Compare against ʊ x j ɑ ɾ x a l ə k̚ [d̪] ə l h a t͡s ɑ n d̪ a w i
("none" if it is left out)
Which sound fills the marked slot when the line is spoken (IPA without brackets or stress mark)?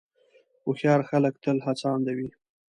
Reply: t̪